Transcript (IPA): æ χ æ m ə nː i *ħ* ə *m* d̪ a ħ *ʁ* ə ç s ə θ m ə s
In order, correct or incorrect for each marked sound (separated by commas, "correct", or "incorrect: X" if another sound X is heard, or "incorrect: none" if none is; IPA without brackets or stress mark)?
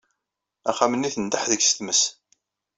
incorrect: θ, incorrect: n, incorrect: ð